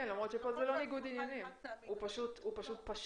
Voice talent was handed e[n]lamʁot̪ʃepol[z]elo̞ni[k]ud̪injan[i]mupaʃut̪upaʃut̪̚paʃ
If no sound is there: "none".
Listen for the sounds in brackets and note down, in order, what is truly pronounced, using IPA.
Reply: n, z, ɡ, i

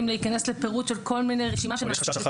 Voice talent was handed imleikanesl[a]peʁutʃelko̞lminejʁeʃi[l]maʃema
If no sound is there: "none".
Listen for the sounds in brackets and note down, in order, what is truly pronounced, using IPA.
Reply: e, none

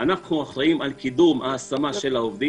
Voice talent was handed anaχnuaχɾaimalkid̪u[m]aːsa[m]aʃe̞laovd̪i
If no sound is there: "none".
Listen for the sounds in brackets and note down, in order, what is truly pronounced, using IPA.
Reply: m, m

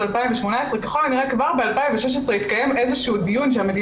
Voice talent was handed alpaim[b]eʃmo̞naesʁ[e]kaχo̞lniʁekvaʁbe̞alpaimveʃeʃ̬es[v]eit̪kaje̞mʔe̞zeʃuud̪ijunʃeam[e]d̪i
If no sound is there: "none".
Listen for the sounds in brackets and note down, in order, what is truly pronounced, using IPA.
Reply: v, e, ʁ, e

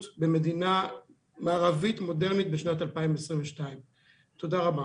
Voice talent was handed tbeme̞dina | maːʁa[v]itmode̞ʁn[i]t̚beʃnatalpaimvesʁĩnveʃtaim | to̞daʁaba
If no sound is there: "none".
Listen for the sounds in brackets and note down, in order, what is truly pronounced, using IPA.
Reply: v, i

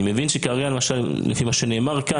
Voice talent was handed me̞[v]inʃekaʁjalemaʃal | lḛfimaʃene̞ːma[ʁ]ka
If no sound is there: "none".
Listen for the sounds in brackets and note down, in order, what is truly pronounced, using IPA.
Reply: v, ʁ

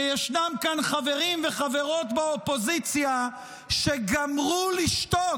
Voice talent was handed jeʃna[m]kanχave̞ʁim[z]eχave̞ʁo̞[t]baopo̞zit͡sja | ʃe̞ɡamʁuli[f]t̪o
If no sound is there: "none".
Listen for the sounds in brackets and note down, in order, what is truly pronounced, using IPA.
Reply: m, v, t, ʃ

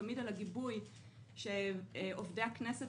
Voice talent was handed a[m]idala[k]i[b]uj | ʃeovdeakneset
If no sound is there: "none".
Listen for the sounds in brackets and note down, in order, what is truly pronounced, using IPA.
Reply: m, ɡ, b

